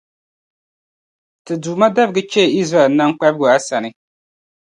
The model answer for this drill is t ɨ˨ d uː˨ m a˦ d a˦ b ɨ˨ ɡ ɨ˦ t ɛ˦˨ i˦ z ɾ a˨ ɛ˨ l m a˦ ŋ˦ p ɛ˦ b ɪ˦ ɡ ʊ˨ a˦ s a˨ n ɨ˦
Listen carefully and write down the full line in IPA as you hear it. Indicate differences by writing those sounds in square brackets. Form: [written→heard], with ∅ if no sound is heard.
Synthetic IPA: t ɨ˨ d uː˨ m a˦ d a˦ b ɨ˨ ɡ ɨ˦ [t→t͡ʃ] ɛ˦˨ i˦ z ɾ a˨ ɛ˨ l [m→n] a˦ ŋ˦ [p→k͡p] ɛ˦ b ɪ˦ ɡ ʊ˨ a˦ s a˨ n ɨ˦

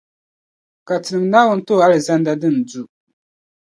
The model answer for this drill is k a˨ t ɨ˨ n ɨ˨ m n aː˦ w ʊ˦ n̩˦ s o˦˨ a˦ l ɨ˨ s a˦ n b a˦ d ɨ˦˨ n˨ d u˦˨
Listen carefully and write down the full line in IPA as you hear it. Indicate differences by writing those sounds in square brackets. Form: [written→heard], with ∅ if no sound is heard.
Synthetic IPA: k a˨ t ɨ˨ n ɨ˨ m n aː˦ w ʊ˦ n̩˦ [s→t] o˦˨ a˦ l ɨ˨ [s→z] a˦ n [b→d] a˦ d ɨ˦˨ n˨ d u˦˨

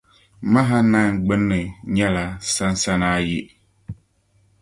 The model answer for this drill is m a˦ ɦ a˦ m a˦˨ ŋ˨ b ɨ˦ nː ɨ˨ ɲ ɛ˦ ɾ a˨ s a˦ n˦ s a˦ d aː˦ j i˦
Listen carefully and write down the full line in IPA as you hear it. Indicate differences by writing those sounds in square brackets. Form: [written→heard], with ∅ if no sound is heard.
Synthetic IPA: m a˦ ɦ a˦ [m→n] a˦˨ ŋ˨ [b→ɡ͡b] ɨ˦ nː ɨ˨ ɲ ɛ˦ [ɾ→l] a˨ s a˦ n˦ s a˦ [d→n] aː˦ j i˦

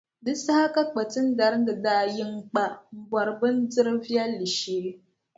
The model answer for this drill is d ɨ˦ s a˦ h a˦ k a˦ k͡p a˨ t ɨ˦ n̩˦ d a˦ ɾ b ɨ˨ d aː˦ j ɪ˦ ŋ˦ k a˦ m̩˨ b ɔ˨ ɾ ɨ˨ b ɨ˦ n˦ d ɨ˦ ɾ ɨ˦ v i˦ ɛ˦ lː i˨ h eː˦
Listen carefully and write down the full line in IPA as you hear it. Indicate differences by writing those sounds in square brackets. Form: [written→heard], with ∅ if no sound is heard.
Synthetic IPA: d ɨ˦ s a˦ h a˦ k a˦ k͡p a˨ t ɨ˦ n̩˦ d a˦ ɾ [b→d] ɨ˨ d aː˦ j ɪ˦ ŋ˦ [k→k͡p] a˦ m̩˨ b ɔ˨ ɾ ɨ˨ b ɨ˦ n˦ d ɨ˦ ɾ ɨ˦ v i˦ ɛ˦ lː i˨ [h→ʃ] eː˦

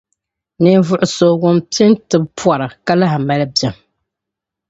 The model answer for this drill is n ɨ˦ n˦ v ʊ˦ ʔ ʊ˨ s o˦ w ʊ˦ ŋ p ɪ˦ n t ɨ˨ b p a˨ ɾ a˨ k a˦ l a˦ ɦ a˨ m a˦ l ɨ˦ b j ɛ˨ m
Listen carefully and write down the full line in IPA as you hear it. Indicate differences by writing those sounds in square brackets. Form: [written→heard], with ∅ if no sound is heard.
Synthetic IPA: n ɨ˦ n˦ v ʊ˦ ʔ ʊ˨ s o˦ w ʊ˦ [ŋ→m] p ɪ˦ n t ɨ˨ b p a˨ ɾ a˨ k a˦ l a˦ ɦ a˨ m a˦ l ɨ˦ b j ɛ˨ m

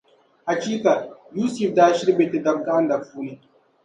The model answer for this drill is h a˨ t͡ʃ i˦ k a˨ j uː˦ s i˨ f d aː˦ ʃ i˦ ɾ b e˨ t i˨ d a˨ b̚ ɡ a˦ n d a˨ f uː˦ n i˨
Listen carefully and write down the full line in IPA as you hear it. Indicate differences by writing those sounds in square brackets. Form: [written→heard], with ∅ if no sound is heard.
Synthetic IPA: h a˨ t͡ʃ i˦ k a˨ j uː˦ s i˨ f d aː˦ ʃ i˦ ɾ b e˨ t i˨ d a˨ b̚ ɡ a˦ n d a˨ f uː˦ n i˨

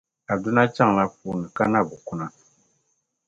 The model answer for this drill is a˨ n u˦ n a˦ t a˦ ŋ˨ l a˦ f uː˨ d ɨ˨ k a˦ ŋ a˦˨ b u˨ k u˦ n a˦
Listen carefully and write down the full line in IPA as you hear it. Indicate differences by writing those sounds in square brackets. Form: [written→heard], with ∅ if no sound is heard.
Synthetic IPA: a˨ [n→d] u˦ n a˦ [t→t͡ʃ] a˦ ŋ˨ l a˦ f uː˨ [d→n] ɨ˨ k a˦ [ŋ→n] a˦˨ b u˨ k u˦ n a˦

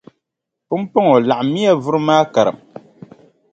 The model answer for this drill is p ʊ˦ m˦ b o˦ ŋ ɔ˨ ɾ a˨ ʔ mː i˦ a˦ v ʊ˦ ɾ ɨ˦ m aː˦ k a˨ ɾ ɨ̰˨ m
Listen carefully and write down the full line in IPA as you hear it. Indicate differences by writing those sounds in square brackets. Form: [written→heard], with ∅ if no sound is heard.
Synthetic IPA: p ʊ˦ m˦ [b→p] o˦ ŋ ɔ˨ [ɾ→l] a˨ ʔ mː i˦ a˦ v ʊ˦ ɾ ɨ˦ m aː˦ k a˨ ɾ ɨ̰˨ m

